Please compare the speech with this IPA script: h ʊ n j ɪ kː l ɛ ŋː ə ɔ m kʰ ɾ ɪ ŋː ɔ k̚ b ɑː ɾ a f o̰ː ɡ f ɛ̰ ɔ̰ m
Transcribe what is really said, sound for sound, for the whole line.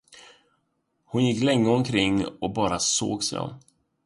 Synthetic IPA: h ʊ n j ɪ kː l ɛ ŋː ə ɔ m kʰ ɾ ɪ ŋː ɔ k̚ b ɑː ɾ a s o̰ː ɡ s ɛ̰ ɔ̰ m